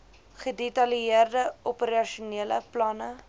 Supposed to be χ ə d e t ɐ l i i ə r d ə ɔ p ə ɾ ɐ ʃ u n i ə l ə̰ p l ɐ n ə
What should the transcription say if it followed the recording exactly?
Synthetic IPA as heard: χ ə d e t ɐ l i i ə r d ə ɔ p ə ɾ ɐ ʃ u n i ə l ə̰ p l ɐ n ə